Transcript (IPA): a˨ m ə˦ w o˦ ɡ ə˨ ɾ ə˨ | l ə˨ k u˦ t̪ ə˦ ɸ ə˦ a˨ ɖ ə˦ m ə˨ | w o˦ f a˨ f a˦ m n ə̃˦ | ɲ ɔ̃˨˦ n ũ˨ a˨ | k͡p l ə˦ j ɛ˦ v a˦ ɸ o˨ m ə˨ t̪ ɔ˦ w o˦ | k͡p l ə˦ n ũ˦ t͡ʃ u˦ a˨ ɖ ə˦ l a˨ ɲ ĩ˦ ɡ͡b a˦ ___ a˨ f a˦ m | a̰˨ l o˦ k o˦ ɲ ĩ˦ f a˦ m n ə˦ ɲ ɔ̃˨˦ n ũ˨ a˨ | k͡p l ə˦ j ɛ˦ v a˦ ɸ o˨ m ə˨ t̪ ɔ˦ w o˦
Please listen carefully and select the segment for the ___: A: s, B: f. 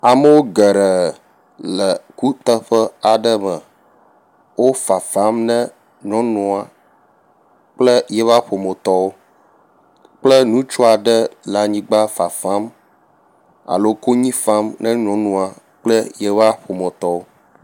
B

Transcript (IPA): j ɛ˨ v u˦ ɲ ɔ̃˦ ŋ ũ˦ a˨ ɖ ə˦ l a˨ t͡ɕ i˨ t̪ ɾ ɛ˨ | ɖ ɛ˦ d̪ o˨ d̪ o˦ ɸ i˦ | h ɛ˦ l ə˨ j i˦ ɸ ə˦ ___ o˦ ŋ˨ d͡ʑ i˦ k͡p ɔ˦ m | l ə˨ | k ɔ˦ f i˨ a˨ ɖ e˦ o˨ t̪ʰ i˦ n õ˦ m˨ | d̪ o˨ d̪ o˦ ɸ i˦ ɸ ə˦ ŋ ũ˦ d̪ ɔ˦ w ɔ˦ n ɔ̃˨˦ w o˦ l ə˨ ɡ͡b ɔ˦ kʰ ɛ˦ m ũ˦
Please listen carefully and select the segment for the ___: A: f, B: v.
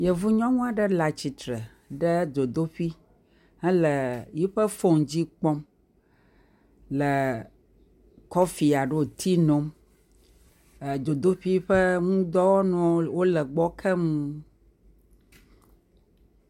A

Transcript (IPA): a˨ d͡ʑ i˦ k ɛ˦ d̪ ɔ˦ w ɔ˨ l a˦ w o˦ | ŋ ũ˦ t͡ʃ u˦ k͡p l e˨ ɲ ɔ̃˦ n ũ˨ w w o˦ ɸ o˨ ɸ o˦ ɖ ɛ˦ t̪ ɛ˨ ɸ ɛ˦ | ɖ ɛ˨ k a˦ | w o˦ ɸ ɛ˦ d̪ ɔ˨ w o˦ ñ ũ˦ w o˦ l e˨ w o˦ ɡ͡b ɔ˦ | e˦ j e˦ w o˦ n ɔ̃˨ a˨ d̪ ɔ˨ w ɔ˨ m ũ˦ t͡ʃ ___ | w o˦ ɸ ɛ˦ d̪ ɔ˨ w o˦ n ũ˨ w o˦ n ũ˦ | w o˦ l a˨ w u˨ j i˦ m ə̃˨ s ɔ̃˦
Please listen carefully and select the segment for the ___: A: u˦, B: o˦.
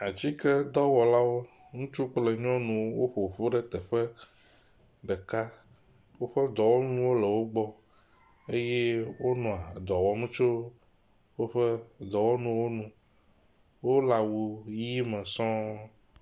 B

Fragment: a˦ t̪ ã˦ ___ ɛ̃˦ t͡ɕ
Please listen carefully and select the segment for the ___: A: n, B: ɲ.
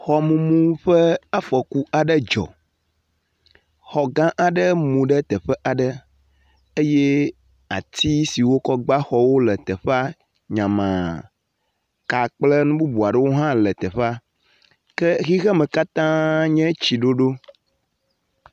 B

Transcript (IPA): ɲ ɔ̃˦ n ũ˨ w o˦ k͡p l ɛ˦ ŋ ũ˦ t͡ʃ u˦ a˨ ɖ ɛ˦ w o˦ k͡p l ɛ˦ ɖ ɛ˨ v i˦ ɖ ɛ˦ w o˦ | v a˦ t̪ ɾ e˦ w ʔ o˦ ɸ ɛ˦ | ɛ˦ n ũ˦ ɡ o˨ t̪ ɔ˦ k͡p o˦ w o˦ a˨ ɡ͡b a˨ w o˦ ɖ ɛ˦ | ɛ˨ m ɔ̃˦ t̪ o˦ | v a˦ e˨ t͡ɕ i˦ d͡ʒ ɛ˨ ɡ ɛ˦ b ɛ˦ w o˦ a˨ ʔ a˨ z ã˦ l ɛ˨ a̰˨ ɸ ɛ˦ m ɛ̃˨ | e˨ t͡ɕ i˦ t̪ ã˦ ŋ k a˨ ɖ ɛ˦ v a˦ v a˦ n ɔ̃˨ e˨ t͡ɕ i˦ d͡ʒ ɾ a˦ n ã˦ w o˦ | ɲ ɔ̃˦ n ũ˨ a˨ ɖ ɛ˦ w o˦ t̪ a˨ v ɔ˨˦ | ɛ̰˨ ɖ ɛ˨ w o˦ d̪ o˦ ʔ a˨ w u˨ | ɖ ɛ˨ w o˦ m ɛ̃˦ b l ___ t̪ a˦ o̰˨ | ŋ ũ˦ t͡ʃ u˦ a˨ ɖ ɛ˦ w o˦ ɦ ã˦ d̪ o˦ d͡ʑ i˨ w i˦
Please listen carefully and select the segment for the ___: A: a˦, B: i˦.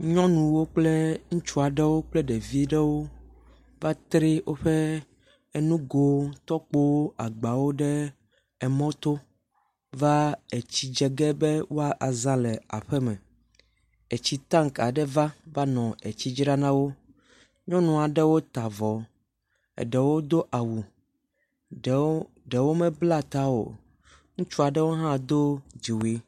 A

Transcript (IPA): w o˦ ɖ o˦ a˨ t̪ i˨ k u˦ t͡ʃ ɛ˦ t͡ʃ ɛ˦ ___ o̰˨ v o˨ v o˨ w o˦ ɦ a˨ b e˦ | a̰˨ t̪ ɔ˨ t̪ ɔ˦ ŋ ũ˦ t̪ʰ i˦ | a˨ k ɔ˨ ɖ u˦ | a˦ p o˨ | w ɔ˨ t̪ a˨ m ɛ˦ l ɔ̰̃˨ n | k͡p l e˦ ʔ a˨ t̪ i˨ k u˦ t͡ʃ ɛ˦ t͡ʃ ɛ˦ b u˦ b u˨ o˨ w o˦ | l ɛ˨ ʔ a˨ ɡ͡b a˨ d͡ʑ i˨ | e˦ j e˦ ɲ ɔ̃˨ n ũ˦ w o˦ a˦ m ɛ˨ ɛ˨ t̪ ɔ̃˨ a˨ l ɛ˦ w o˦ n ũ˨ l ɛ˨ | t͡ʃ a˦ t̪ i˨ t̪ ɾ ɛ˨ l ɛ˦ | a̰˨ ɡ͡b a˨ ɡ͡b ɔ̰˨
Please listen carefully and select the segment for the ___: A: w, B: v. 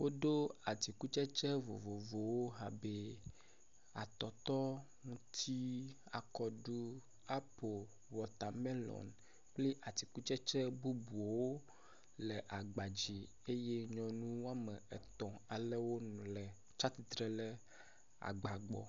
B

